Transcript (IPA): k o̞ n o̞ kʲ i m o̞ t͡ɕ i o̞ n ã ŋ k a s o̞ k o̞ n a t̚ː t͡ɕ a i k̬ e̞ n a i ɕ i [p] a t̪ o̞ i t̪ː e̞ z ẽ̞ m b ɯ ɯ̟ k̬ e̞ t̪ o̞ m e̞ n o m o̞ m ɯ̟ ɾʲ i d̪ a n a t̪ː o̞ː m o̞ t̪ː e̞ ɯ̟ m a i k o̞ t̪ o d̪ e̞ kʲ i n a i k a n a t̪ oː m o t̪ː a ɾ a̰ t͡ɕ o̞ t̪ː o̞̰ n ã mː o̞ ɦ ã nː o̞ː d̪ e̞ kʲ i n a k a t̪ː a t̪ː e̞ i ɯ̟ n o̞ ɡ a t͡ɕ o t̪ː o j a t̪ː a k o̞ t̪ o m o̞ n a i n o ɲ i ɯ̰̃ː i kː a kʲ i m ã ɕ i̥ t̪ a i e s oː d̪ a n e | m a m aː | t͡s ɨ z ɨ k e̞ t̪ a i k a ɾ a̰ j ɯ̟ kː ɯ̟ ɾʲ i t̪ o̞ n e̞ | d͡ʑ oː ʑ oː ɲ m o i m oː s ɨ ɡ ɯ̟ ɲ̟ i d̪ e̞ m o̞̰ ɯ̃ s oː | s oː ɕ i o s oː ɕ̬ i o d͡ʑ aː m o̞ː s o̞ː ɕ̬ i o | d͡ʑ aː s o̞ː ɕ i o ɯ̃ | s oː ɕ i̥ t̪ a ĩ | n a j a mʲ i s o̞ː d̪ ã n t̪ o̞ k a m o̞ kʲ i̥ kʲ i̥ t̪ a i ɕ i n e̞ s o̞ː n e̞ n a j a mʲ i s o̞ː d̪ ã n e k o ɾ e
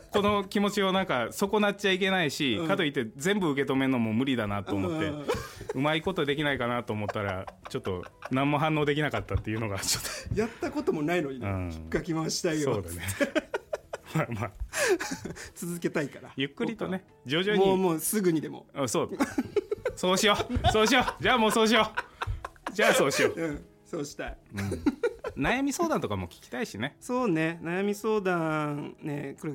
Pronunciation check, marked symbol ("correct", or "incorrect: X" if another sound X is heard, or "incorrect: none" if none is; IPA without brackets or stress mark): incorrect: k